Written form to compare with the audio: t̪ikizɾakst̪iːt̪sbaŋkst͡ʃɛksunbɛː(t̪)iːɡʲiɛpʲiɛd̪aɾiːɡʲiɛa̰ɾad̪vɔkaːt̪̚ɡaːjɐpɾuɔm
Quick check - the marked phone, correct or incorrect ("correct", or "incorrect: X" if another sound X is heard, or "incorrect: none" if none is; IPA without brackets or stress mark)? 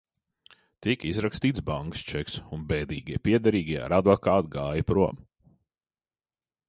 incorrect: d̪